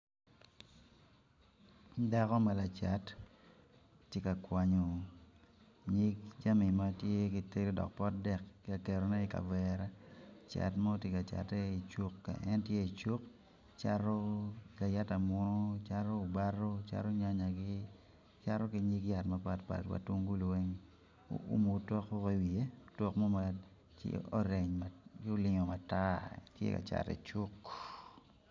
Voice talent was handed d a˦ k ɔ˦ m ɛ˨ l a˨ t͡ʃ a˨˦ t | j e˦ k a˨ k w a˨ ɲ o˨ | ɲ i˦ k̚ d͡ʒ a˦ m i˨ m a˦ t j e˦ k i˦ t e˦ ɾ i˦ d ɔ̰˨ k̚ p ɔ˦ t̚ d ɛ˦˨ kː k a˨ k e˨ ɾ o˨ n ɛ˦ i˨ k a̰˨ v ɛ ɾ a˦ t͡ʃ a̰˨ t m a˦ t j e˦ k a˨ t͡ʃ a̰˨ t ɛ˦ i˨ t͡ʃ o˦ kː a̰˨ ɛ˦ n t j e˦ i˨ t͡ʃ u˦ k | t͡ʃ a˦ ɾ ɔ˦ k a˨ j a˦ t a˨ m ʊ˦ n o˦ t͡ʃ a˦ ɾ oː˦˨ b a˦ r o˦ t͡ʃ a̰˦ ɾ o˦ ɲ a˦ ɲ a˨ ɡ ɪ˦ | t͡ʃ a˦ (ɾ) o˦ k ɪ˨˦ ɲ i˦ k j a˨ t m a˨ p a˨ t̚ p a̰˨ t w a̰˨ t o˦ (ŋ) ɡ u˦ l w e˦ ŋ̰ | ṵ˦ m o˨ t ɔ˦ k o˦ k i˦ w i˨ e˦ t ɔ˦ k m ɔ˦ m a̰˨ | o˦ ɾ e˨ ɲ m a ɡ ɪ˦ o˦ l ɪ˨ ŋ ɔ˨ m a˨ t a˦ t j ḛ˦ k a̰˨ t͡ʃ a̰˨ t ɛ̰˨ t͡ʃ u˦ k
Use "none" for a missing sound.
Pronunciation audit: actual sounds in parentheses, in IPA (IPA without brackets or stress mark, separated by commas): ɾ, ŋ